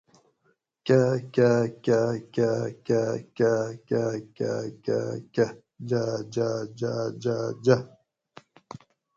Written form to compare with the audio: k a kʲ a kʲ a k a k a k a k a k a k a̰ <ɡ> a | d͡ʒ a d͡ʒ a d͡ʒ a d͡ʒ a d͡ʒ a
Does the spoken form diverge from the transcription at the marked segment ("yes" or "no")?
yes